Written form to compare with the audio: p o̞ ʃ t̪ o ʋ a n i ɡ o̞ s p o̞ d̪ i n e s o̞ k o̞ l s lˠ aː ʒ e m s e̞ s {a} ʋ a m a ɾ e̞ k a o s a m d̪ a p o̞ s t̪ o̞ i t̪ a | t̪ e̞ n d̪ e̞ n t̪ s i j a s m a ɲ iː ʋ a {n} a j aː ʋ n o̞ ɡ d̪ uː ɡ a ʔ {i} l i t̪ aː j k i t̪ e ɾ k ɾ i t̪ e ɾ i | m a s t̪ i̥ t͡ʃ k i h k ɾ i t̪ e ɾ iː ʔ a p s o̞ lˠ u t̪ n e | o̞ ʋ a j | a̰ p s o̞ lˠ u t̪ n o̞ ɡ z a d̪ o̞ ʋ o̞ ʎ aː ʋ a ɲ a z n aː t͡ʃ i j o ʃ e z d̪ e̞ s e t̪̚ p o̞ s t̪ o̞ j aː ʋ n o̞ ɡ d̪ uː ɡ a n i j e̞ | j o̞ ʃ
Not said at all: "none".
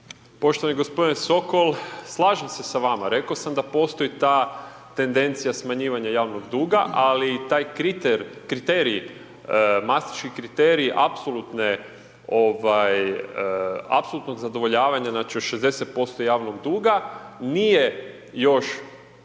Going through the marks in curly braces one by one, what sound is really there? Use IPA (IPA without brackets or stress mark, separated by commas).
a, ɲ, a